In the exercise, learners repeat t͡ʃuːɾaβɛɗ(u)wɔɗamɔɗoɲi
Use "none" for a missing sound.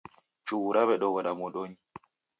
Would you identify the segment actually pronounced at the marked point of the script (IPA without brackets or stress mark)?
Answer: ɔ